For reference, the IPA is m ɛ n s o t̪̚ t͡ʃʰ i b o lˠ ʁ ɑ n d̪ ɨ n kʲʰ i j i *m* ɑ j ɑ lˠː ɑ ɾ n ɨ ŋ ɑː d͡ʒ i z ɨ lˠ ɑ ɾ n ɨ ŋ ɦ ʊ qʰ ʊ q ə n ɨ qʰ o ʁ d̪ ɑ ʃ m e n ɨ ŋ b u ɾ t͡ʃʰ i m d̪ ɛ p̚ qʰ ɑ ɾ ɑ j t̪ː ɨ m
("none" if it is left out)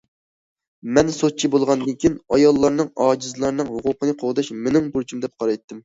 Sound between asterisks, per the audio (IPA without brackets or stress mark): n